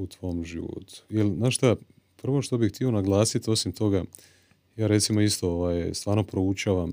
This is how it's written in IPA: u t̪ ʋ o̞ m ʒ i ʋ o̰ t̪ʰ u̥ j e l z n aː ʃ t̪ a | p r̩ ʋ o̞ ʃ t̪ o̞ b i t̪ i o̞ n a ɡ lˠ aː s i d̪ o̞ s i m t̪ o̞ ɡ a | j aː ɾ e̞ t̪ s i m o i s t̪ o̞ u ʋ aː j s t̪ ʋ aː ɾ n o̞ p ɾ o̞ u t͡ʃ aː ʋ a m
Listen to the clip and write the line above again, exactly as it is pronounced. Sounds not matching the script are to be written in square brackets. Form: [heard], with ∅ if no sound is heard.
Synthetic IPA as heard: u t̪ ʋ o̞ m ʒ i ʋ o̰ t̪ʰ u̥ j e l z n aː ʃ t̪ a | p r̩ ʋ o̞ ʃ t̪ o̞ b i t̪ i o̞ n a ɡ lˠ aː s i [t̪] o̞ s i m t̪ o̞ ɡ a | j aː ɾ e̞ t̪ s i m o i s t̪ o̞ [o] ʋ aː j s t̪ ʋ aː ɾ n o̞ p ɾ o̞ u t͡ʃ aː ʋ a m